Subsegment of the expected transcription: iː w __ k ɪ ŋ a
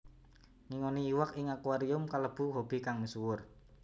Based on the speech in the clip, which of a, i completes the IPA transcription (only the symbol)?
a